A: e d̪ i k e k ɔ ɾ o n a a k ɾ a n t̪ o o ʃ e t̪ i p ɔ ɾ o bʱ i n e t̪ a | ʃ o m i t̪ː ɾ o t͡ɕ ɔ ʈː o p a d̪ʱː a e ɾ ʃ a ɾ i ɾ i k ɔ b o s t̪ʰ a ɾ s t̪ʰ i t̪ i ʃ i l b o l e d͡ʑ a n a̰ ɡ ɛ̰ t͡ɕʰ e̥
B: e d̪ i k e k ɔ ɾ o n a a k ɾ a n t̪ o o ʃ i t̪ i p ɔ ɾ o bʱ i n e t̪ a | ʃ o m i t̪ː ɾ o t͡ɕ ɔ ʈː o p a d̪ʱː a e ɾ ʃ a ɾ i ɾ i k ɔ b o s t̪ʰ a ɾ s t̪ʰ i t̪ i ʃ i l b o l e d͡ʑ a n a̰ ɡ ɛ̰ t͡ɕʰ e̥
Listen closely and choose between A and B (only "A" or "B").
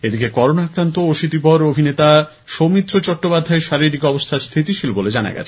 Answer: B